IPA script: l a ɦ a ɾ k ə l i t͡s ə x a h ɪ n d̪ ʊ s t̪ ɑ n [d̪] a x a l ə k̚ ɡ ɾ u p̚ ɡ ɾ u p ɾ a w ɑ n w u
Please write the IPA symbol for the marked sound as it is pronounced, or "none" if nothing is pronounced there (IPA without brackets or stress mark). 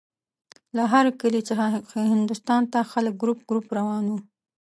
t̪